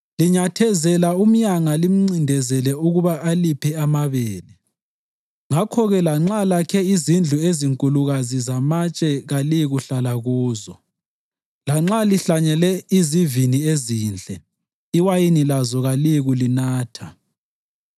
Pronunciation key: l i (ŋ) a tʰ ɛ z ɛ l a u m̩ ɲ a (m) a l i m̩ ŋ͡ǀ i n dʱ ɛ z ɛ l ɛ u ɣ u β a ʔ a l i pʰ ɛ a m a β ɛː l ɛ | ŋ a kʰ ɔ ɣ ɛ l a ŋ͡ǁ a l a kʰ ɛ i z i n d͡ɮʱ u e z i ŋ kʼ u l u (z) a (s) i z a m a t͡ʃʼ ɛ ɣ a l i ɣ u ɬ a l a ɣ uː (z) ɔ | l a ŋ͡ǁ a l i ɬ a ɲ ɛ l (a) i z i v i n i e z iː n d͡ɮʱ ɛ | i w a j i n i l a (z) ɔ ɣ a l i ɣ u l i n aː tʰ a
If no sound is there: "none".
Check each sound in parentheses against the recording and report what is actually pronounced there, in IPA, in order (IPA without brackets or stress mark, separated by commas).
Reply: ɲ, ŋ, ɣ, z, z, ɛ, z